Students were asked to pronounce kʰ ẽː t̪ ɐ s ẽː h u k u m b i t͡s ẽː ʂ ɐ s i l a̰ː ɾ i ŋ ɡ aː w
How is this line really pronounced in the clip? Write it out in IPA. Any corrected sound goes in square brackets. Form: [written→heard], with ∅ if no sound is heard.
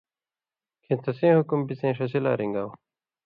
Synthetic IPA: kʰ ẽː t̪ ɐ s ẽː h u k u m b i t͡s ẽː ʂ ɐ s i l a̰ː ɾ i ŋ ɡ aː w